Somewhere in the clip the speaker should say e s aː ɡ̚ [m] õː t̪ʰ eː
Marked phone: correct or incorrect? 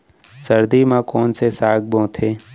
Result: incorrect